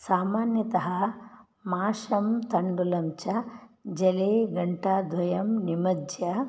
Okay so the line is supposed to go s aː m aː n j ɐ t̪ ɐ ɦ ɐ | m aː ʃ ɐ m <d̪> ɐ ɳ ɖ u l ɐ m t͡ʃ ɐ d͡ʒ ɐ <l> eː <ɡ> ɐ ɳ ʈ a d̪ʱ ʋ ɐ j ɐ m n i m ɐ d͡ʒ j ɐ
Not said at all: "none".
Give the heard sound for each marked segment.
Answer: t̪, l, ɡ

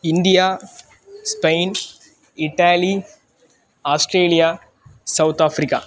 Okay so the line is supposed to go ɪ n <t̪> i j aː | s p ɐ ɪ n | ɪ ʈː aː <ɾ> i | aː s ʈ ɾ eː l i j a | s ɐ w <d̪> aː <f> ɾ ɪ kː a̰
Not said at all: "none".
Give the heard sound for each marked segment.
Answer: d̪, l, t̪, f

